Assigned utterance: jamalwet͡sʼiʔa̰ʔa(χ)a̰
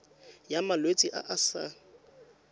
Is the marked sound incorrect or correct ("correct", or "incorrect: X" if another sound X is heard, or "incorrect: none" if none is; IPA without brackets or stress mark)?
incorrect: s